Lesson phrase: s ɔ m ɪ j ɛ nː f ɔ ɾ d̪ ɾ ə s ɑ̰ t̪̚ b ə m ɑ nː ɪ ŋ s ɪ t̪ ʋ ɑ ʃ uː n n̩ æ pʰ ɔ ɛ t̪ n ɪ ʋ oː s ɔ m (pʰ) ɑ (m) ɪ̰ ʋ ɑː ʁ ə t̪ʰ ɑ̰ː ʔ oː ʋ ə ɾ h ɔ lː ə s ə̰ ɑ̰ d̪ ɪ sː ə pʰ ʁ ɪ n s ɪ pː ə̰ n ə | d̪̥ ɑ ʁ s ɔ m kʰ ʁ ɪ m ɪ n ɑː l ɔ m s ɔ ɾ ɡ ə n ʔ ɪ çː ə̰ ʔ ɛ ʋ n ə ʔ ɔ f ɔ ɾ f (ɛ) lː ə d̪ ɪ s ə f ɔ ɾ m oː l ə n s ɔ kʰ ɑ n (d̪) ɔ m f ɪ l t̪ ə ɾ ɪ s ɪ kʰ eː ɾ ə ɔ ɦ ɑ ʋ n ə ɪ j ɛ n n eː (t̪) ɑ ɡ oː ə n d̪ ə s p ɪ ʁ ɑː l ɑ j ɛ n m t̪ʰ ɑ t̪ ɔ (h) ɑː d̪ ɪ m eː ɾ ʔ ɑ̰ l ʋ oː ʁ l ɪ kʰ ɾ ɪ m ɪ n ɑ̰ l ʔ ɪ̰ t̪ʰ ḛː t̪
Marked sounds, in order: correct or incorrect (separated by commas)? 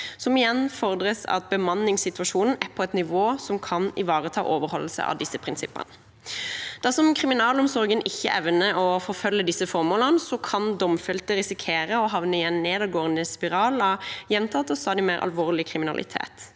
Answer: incorrect, incorrect, incorrect, correct, incorrect, incorrect